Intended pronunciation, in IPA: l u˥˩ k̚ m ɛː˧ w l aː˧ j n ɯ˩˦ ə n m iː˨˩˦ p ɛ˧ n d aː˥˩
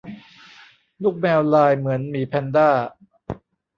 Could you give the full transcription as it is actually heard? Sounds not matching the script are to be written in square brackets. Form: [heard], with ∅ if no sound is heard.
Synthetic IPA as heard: l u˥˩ k̚ m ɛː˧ w l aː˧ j [m] ɯ˩˦ ə n m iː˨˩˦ [pʰ] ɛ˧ n d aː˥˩

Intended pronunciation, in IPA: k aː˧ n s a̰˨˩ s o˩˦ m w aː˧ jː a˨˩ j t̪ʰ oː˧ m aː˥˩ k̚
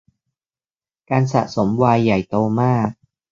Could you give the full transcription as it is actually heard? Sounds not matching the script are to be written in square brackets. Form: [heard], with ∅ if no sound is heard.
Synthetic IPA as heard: k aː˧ n s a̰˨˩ s o˩˦ m w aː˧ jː a˨˩ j [t̪] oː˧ m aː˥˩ k̚

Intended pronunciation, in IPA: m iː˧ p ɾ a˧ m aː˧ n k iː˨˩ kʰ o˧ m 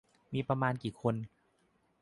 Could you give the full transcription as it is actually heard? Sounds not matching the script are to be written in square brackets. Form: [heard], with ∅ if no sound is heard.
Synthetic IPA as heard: m iː˧ p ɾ a˧ m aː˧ n k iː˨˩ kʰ o˧ [n]

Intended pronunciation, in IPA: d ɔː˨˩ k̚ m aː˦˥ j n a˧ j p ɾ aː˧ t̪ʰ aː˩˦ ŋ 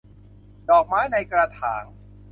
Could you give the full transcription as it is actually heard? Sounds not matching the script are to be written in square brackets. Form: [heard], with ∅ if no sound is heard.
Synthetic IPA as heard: d ɔː˨˩ k̚ m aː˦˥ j n a˧ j [k] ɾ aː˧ t̪ʰ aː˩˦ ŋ

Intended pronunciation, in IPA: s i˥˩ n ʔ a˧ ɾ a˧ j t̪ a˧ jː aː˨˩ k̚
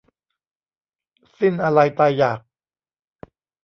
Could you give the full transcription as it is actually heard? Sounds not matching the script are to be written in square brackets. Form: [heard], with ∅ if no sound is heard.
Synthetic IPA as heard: s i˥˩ n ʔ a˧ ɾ a˧ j t̪ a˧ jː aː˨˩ k̚

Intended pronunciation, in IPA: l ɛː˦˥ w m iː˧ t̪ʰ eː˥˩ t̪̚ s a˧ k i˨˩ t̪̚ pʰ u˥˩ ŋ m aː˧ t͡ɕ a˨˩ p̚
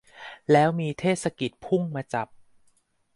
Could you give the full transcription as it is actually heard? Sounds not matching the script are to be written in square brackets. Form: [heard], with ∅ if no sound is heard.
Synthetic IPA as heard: l ɛː˦˥ w m iː˧ t̪ʰ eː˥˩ t̪̚ s a˧ k i˨˩ t̪̚ pʰ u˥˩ ŋ m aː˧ t͡ɕ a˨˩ p̚

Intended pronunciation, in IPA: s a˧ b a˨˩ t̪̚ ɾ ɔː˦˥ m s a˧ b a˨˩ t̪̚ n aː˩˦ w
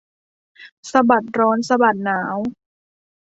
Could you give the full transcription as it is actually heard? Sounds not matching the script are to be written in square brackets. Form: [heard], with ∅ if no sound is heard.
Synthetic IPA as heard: s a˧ b a˨˩ t̪̚ ɾ ɔː˦˥ [n] s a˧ b a˨˩ t̪̚ n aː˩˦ w

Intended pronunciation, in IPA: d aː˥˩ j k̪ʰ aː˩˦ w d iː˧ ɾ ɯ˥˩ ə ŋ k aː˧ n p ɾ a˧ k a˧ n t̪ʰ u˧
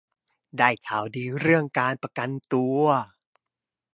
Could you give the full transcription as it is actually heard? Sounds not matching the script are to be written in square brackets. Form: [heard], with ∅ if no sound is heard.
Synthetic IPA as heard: d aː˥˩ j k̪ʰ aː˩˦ w d iː˧ ɾ ɯ˥˩ ə ŋ k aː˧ n p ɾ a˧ k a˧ n [t̪] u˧

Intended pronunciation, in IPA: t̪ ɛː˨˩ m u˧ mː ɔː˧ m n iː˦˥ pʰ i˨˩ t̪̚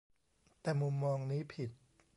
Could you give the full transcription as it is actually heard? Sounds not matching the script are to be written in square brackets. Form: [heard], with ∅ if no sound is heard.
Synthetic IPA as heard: t̪ ɛː˨˩ m u˧ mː ɔː˧ [ŋ] n iː˦˥ pʰ i˨˩ t̪̚

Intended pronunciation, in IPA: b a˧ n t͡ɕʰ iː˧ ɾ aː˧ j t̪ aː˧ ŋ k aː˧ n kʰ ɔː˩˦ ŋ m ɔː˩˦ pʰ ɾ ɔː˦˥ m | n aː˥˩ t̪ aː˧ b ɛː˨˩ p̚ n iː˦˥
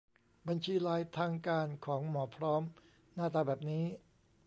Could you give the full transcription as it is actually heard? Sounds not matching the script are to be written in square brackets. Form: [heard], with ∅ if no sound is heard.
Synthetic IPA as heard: b a˧ n t͡ɕʰ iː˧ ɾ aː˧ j [t̪ʰ] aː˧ ŋ k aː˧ n kʰ ɔː˩˦ ŋ m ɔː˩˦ pʰ ɾ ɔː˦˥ m | n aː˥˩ t̪ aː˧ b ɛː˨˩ p̚ n iː˦˥

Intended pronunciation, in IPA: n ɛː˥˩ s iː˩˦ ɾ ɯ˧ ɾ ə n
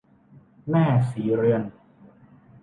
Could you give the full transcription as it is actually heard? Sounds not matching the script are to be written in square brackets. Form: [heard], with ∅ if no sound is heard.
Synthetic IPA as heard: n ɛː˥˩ s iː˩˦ ɾ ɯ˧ [∅] ə n

